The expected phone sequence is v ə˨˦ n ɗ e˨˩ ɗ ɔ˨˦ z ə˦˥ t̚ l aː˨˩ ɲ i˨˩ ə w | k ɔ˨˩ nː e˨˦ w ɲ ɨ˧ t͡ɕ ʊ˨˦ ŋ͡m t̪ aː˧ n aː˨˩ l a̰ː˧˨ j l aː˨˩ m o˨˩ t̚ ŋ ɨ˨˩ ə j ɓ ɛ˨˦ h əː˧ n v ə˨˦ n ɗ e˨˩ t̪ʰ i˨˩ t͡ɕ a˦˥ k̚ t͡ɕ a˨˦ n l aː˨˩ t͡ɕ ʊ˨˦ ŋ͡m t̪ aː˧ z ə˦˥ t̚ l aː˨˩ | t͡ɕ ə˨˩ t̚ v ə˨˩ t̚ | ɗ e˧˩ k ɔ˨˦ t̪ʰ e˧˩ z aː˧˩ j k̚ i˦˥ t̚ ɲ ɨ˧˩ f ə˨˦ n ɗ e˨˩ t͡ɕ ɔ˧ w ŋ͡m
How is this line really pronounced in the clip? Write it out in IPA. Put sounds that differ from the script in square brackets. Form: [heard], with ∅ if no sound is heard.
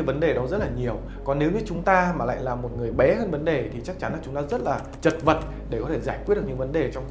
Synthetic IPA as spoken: v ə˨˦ n ɗ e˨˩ ɗ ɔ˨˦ z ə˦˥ t̚ l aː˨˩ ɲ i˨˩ ə w | k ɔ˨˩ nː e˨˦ w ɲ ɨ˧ t͡ɕ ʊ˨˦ ŋ͡m t̪ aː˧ [m] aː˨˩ l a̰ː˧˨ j l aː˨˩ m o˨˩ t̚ ŋ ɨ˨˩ ə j ɓ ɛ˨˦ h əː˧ n v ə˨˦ n ɗ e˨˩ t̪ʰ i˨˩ t͡ɕ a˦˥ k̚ t͡ɕ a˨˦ n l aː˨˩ t͡ɕ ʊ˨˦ ŋ͡m t̪ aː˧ z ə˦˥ t̚ l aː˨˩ | t͡ɕ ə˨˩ t̚ v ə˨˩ t̚ | ɗ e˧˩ k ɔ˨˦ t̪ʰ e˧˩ z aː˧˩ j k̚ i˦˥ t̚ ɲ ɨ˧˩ [v] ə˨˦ n ɗ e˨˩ t͡ɕ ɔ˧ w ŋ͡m